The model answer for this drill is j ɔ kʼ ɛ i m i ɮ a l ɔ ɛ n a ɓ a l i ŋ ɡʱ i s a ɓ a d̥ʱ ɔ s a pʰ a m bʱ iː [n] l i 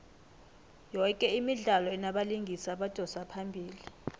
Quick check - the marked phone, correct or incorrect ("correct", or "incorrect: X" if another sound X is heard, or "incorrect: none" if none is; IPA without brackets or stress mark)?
incorrect: none